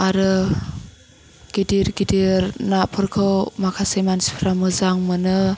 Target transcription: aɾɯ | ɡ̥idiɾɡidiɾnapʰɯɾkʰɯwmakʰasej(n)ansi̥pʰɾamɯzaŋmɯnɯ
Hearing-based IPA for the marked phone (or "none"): m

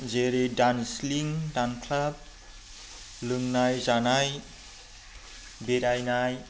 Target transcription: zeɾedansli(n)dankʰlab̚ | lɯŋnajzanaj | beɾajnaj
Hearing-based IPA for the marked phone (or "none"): ŋ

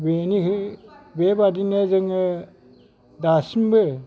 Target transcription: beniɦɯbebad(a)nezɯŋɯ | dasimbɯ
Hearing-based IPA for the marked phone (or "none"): i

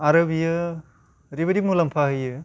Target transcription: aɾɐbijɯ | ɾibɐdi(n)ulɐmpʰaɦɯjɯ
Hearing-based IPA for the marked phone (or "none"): m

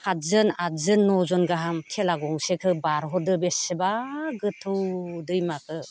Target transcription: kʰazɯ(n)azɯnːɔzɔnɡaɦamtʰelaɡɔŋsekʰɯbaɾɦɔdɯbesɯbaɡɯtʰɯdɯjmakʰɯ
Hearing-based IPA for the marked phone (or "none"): n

